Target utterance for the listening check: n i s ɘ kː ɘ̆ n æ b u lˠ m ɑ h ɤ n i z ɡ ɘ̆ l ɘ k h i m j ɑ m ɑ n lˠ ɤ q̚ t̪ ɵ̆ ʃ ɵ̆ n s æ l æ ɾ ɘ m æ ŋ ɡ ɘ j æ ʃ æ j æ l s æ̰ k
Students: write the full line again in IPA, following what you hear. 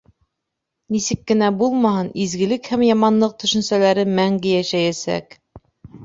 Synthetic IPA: n i s ɘ kː ɘ̆ n æ b u lˠ m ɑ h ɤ n i z ɡ ɘ̆ l ɘ k h æ m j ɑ m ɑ n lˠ ɤ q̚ t̪ ɵ̆ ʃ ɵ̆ n s æ l æ ɾ ɘ m æ ŋ ɡ ɘ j æ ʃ æ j æ s æ̰ k